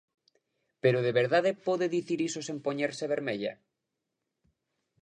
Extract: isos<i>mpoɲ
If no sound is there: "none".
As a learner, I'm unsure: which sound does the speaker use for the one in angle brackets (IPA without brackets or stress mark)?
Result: e